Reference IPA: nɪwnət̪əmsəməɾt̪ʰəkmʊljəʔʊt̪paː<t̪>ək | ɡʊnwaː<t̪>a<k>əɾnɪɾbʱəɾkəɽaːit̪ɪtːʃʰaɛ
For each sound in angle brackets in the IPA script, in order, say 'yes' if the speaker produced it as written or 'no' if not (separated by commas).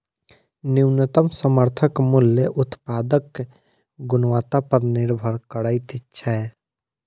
no, yes, no